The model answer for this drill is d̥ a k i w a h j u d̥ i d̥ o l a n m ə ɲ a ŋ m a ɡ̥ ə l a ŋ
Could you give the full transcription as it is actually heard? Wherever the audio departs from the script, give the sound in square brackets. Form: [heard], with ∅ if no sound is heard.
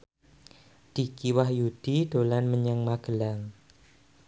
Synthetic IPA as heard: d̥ [i] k i w a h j u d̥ i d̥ o l a n m ə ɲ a ŋ m a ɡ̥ ə l a ŋ